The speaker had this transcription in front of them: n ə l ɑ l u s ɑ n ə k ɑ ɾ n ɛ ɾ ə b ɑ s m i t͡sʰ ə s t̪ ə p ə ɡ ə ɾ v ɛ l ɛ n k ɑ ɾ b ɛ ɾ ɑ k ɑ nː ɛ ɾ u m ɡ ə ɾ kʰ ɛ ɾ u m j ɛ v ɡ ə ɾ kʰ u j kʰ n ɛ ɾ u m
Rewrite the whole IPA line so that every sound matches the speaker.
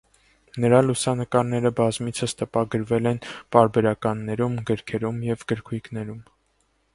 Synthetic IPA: n ə ɾ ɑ l u s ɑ n ə k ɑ ɾ n ɛ ɾ ə b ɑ z m i t͡sʰ ə s t̪ ə p ɑ ɡ ə ɾ v ɛ l ɛ n p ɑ ɾ b ɛ ɾ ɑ k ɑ nː ɛ ɾ u m ɡ ə ɾ kʰ ɛ ɾ u m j ɛ v ɡ ə ɾ kʰ u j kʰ n ɛ ɾ u m